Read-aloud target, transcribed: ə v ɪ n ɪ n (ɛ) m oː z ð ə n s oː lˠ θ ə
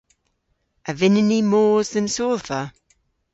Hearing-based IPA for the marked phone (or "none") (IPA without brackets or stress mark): i